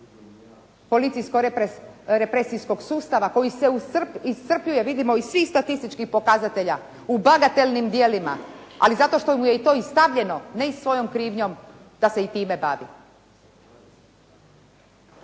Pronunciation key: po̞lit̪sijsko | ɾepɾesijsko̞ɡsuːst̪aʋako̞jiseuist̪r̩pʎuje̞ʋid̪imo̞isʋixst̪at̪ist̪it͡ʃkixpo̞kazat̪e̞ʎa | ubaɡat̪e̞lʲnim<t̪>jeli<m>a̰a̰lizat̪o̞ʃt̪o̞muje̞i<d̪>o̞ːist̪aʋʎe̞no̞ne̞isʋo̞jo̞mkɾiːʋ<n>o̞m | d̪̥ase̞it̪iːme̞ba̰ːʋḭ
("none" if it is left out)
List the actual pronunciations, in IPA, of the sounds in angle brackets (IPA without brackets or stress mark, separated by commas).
d̪, m, t̪, ɲ